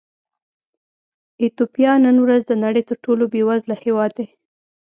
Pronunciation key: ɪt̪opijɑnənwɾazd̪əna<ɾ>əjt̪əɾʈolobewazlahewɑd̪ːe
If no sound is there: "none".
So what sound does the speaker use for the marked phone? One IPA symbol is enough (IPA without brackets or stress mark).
ɽ